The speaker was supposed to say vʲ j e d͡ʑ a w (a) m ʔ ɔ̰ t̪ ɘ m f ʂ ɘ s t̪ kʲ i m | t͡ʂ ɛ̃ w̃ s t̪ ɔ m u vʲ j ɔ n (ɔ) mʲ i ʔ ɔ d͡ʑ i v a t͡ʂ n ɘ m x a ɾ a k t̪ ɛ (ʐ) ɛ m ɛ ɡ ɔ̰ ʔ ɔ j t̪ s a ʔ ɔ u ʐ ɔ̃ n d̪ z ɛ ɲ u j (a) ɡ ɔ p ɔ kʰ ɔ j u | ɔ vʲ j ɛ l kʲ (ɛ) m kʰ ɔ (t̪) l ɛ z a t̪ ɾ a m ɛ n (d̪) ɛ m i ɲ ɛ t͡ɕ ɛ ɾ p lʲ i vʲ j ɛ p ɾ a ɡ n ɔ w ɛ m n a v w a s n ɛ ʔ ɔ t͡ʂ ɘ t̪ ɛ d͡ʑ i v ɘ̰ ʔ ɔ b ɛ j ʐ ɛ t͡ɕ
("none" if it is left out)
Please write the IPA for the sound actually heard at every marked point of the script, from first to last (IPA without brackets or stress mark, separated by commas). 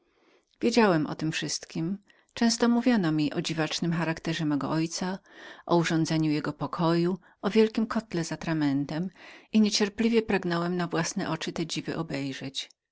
ɛ, ɔ, ʐ, ɛ, i, t̪, t̪